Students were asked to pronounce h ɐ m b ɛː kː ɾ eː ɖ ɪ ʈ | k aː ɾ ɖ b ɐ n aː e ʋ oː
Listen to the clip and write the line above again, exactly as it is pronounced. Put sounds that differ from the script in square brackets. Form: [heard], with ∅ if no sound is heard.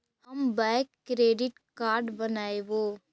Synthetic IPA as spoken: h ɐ m b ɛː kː ɾ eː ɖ ɪ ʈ | k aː ɾ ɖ b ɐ n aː e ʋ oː